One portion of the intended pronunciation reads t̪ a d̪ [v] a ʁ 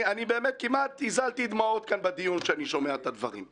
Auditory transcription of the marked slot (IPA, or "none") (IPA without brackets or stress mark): v